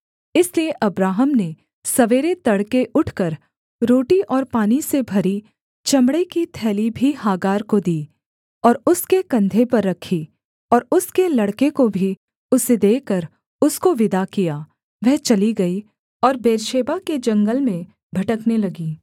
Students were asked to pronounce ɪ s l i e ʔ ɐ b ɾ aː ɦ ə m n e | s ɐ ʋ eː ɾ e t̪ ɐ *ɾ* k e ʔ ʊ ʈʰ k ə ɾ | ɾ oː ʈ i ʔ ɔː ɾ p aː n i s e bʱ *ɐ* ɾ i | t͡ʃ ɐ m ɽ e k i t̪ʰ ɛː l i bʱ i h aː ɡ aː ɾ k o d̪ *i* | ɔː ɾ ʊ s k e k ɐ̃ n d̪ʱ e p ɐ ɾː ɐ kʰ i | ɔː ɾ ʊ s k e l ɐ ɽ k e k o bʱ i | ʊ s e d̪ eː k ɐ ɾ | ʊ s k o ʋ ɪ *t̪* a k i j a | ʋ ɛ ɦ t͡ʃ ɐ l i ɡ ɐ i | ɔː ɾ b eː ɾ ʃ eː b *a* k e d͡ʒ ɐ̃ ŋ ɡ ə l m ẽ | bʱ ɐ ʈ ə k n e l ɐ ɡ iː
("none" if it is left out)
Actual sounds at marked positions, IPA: ɽ, ɐ, iː, d̪, a

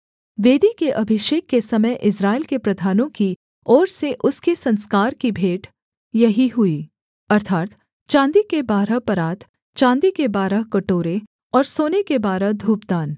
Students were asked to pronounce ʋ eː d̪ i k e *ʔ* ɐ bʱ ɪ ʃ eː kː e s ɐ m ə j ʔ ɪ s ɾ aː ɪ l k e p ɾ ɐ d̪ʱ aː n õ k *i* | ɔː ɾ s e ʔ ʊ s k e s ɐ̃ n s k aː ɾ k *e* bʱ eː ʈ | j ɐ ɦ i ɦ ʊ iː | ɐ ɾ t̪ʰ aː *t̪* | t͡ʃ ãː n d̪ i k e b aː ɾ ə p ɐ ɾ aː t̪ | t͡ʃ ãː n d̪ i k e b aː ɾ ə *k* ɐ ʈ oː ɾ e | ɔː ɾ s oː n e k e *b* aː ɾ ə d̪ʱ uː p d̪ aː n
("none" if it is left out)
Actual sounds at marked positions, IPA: ʔ, i, i, t̪, k, b

